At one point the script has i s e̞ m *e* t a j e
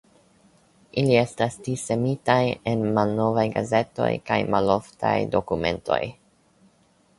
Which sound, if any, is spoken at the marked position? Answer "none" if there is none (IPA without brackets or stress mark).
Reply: i